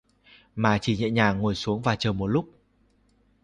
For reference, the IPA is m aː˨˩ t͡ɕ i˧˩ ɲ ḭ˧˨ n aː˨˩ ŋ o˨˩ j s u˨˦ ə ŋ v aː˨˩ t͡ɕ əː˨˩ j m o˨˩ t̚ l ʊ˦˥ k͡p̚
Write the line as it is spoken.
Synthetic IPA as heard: m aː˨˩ t͡ɕ i˧˩ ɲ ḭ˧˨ ɲ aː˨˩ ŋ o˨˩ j s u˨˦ ə ŋ v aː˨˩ t͡ɕ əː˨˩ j m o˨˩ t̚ l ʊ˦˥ k͡p̚